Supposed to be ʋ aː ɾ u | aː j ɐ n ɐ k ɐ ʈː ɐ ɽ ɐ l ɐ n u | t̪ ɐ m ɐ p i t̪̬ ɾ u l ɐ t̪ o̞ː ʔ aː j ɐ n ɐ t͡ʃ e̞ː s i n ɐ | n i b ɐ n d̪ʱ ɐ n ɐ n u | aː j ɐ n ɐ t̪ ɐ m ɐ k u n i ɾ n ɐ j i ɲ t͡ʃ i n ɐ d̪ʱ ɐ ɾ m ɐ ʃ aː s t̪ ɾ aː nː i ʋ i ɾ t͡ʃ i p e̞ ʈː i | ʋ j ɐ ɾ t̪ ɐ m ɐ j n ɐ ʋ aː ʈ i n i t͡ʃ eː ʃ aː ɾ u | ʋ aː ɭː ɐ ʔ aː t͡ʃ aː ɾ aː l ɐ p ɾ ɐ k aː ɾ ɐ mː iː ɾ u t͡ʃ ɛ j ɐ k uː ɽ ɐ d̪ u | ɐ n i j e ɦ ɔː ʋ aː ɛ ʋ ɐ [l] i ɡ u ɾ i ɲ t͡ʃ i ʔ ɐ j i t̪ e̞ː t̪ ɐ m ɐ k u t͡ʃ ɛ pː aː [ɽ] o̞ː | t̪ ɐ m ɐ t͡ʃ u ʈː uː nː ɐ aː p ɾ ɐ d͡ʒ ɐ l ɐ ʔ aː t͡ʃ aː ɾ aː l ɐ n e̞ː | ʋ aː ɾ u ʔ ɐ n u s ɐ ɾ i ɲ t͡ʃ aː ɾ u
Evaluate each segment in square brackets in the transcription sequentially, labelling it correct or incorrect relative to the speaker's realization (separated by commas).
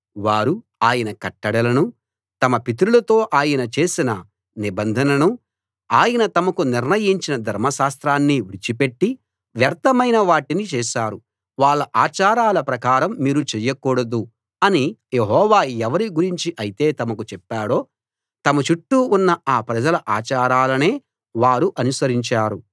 incorrect, correct